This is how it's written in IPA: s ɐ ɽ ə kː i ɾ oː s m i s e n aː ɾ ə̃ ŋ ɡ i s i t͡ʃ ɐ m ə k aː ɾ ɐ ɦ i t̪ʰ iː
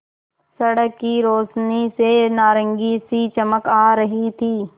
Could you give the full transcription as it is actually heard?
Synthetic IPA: s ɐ ɽ ə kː i ɾ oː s n i s e n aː ɾ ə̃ ŋ ɡ i s i t͡ʃ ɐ m ə k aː ɾ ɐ ɦ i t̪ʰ iː